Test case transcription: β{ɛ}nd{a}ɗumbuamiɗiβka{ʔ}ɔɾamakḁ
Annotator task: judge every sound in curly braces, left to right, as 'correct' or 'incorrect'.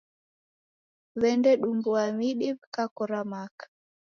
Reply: correct, incorrect: ɛ, incorrect: k

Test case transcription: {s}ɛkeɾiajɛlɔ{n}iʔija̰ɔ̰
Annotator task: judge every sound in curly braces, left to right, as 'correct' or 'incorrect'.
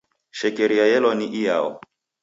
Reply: incorrect: ʃ, correct

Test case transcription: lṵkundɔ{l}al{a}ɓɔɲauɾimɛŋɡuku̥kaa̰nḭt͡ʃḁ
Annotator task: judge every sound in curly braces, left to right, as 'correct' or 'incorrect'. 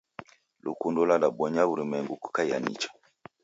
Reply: correct, correct

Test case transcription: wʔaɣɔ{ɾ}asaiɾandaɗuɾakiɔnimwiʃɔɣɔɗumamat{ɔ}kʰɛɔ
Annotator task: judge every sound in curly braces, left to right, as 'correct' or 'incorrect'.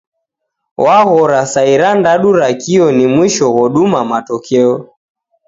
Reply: correct, correct

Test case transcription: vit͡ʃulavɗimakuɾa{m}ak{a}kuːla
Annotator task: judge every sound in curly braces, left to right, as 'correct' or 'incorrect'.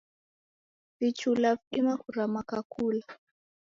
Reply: correct, correct

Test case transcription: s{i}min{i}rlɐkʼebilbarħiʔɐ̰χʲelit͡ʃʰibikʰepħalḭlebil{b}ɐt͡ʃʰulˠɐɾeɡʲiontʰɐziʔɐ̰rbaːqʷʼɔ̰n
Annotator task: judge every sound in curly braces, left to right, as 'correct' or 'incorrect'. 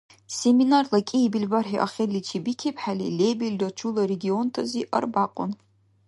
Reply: incorrect: e, incorrect: a, incorrect: d

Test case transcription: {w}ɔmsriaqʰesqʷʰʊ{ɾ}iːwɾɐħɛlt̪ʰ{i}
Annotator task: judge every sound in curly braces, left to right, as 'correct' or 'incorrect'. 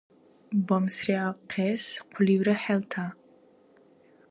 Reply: incorrect: b, incorrect: l, incorrect: a

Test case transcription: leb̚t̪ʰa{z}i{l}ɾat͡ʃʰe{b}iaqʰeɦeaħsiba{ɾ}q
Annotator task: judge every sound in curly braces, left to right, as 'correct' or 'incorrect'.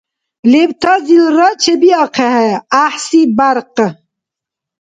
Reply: correct, correct, correct, correct

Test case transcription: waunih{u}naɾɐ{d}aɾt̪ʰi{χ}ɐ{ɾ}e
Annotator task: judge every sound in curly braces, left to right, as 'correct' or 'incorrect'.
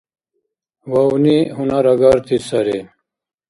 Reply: correct, incorrect: ɡ, incorrect: s, correct

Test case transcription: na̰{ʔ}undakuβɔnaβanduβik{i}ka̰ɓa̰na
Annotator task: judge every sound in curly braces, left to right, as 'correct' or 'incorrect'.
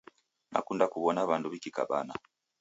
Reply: incorrect: k, correct

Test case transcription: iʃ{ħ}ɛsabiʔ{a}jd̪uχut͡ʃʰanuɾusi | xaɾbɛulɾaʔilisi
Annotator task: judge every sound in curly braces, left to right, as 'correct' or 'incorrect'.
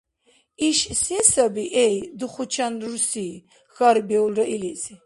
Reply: incorrect: s, incorrect: ɛ

